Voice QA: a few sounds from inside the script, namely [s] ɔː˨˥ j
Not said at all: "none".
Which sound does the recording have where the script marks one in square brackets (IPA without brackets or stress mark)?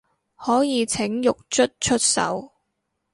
h